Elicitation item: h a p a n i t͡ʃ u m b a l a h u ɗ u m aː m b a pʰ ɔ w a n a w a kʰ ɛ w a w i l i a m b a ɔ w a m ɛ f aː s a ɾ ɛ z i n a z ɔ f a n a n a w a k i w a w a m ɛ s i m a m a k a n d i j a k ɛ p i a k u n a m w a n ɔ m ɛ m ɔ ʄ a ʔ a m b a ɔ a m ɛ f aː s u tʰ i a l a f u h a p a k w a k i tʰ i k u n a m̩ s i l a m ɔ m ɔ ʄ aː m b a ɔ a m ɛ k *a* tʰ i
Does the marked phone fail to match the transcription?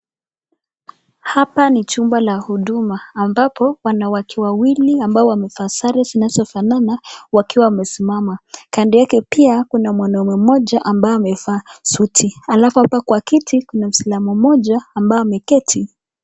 yes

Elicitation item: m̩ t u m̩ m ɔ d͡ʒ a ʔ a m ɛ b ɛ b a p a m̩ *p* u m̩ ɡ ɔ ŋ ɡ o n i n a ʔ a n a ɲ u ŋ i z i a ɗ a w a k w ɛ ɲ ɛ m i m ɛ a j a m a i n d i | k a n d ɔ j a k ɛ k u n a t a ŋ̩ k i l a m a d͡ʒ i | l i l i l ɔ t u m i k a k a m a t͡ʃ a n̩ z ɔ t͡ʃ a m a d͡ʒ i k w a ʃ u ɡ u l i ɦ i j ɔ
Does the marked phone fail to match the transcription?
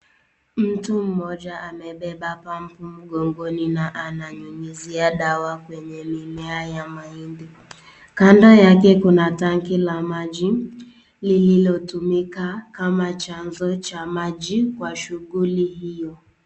no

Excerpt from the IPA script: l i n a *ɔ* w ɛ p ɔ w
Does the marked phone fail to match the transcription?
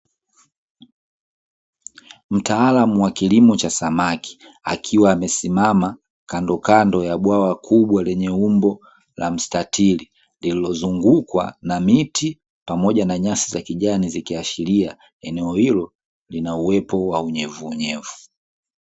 yes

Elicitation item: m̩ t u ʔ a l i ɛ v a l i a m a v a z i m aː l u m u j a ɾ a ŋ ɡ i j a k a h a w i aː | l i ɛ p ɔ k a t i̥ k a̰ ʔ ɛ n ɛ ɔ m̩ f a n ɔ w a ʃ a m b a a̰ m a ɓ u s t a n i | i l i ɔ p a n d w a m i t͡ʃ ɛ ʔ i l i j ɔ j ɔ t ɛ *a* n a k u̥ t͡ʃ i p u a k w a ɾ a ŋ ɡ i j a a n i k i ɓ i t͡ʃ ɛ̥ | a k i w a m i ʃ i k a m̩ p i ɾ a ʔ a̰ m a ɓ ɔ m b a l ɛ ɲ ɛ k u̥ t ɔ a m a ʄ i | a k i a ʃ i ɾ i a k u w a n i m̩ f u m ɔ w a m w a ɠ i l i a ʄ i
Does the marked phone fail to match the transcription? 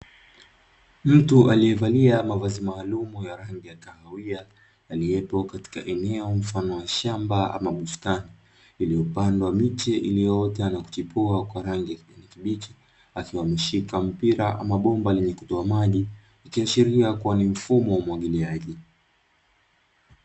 no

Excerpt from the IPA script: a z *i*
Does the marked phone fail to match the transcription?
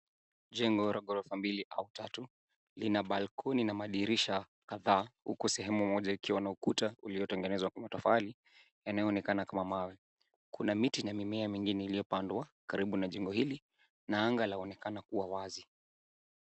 no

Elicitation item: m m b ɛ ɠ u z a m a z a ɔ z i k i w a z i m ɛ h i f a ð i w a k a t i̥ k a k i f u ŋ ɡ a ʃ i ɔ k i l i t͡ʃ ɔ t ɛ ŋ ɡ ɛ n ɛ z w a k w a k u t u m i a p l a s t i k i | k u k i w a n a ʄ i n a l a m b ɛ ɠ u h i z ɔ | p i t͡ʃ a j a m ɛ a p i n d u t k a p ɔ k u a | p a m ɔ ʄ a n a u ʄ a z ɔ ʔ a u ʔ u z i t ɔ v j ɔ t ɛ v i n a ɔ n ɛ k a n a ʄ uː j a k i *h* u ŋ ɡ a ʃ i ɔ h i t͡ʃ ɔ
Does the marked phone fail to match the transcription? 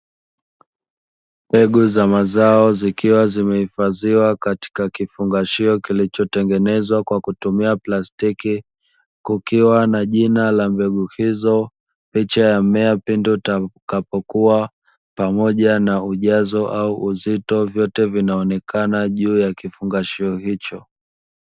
yes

